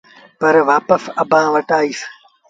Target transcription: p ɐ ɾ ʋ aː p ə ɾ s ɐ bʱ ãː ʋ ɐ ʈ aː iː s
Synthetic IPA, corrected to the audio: p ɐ ɾ ʋ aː p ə s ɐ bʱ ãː ʋ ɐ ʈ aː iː s